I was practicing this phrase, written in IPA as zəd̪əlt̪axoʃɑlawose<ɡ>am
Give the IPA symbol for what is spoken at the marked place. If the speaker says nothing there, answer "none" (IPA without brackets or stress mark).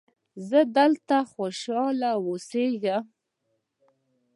ɡ